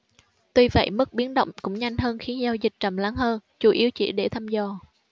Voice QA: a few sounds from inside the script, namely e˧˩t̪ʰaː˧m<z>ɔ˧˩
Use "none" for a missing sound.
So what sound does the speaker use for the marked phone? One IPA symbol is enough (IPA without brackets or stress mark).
z